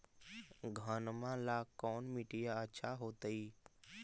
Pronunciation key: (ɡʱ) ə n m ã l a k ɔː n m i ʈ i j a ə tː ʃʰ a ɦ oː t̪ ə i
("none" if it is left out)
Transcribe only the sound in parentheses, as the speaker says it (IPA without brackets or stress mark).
ɡʱ